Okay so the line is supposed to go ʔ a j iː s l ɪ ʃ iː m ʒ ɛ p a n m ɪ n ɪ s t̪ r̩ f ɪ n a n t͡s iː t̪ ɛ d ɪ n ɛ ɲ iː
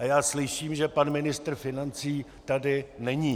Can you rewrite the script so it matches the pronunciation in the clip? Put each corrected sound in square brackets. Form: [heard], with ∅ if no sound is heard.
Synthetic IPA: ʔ a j [aː] s l ɪ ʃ iː m ʒ ɛ p a n m ɪ n ɪ s t̪ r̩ f ɪ n a n t͡s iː t̪ [a] d ɪ n ɛ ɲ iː

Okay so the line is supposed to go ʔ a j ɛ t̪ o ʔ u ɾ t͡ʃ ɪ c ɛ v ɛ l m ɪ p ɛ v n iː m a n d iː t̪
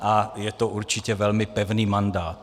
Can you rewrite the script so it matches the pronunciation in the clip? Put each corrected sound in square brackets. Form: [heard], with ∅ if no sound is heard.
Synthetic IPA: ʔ a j ɛ t̪ o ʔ u ɾ t͡ʃ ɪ c ɛ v ɛ l m ɪ p ɛ v n iː m a n d [aː] t̪

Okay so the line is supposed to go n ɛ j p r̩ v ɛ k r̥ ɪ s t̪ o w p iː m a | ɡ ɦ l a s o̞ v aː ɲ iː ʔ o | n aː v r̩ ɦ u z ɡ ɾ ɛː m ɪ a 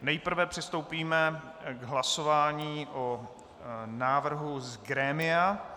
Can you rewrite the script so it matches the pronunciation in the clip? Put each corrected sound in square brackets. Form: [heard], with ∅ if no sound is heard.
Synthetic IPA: n ɛ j p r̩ v ɛ [p] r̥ ɪ s t̪ o w p iː m [ɛ] | ɡ ɦ l a s o̞ v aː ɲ iː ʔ o | n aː v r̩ ɦ u z ɡ ɾ ɛː m ɪ a

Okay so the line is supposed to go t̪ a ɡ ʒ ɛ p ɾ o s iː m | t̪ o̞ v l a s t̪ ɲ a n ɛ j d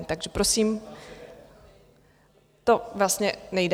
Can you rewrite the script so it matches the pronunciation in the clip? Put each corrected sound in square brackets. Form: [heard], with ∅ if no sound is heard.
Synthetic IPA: t̪ a ɡ ʒ ɛ p ɾ o s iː m | t̪ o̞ v l a s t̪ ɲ [ɛ] n ɛ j d

